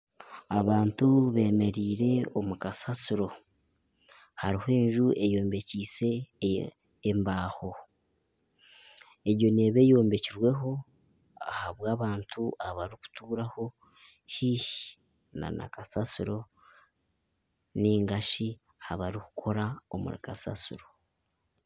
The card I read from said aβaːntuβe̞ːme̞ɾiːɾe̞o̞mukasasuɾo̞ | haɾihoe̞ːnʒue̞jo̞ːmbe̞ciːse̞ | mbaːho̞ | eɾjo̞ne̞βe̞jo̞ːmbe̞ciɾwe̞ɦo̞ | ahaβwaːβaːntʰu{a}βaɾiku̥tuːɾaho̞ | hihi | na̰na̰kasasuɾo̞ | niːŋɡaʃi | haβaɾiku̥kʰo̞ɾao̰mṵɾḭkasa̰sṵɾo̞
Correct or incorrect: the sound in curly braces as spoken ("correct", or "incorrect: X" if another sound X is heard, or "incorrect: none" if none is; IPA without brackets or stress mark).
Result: correct